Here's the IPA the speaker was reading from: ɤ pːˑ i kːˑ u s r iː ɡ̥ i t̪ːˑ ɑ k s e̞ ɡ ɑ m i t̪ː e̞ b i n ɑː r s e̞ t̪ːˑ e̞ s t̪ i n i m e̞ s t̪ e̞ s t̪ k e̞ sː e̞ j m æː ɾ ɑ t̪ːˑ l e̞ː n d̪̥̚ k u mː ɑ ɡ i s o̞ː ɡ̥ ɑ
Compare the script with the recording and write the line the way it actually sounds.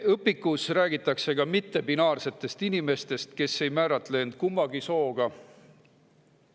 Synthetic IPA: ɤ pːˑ i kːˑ u s r æː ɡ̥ i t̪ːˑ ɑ k s e̞ ɡ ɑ m i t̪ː e̞ b i n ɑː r s e̞ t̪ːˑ e̞ s t̪ i n i m e̞ s t̪ e̞ s t̪ k e̞ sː e̞ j m æː ɾ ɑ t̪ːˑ l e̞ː n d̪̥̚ k u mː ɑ ɡ i s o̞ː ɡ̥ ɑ